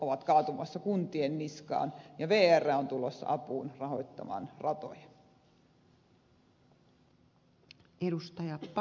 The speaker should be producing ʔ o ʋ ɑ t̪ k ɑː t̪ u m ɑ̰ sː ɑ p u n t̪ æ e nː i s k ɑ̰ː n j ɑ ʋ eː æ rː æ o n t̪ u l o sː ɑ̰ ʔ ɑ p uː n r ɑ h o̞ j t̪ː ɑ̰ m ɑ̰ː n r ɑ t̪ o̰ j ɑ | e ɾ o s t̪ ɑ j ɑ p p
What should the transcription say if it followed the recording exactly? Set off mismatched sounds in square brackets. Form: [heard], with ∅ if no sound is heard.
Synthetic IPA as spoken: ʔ o ʋ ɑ t̪ k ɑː t̪ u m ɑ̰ sː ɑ [k] u n t̪ [i] e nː i s k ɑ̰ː n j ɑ ʋ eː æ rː æ o n t̪ u l o sː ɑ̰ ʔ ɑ p uː n r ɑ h o̞ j t̪ː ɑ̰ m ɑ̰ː n r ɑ t̪ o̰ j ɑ | e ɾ [u] s t̪ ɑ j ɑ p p